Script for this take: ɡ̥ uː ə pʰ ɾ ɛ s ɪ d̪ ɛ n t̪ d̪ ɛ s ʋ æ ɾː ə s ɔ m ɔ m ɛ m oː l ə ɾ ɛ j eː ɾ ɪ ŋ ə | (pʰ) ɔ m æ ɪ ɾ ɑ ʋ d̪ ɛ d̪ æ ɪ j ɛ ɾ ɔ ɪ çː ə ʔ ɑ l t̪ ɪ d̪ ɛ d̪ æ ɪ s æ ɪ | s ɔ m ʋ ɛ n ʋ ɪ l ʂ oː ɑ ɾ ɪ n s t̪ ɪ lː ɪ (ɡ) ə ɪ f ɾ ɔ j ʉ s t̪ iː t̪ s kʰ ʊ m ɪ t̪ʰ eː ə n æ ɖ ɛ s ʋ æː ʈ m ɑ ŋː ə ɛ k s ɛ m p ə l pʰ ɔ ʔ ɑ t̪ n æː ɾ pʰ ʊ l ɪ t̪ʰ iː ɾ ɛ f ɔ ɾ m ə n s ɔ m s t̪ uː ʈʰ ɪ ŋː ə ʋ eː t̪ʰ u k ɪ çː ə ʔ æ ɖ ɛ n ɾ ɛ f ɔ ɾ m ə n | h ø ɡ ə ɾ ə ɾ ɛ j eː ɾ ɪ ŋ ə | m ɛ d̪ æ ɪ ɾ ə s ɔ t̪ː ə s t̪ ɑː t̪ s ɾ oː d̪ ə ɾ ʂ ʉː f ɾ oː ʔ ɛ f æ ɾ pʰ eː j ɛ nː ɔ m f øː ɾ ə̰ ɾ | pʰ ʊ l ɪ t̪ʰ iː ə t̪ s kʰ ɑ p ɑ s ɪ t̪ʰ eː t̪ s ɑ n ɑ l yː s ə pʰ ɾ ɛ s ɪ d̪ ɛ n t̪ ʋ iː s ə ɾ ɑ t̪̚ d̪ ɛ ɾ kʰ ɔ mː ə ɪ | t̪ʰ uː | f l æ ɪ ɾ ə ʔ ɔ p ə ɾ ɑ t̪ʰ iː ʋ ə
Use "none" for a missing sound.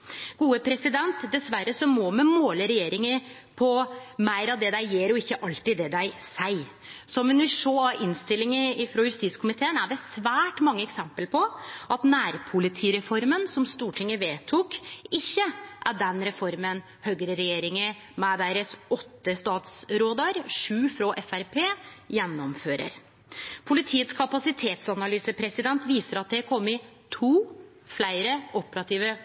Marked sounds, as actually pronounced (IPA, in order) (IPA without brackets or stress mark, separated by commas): pʰ, ŋ